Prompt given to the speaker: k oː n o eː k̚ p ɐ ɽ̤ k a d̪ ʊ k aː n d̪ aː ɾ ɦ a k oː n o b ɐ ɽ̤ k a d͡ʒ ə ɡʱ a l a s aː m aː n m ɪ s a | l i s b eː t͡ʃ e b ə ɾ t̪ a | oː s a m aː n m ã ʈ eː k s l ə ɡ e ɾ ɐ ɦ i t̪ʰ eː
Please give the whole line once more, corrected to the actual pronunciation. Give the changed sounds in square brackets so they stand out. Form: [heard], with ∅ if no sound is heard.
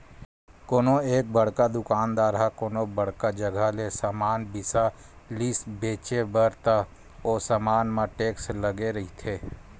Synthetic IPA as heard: k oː n o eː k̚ [b] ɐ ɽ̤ k a d̪ ʊ k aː n d̪ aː ɾ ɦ a k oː n o b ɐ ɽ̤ k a d͡ʒ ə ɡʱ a l [e] s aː m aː n [b] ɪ s a | l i s b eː t͡ʃ e b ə ɾ t̪ a | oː s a m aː n m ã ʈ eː k s l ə ɡ e ɾ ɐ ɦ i t̪ʰ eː